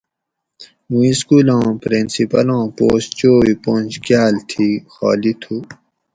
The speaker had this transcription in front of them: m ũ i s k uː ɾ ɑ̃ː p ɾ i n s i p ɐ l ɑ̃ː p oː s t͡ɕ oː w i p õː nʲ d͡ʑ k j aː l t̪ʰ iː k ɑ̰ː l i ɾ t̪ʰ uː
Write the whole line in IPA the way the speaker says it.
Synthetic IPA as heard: m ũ i s k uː l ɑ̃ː p ɾ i n s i p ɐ l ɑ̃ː p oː s t͡ɕ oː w i p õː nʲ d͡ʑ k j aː l t̪ʰ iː x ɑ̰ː l i t̪ʰ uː